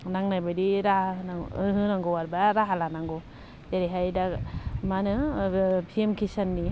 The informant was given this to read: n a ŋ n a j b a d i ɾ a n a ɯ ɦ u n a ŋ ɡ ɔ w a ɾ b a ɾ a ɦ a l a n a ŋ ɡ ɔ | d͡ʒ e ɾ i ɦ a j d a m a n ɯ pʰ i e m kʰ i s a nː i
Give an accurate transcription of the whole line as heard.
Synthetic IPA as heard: n a ŋ n a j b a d i ɾ a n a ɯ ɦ ɯ n a ŋ ɡ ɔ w a ɾ b a ɾ a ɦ a l a n a ŋ ɡ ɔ | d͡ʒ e ɾ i ɦ a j d a m a n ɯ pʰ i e m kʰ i s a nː i